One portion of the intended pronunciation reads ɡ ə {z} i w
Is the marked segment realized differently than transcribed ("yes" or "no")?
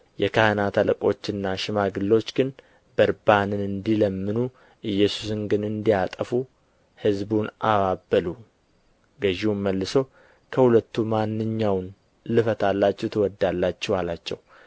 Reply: yes